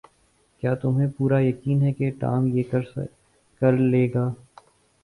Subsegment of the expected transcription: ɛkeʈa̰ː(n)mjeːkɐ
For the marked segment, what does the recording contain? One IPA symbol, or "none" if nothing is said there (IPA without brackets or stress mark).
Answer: none